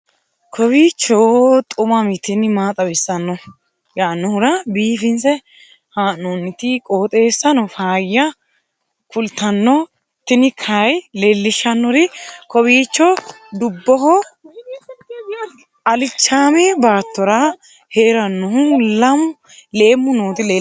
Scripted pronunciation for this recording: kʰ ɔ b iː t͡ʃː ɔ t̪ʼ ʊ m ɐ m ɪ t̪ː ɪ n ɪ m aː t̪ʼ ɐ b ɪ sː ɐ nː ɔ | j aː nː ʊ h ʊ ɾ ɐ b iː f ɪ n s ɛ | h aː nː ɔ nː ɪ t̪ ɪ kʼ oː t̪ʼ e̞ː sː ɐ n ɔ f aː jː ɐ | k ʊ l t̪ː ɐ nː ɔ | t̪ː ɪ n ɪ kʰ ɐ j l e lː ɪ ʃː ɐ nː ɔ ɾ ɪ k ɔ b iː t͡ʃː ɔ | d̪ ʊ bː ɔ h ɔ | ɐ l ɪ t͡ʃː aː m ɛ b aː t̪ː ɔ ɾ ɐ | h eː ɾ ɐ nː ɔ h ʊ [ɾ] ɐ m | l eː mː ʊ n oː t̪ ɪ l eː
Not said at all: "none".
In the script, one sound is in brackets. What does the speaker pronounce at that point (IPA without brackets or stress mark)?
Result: l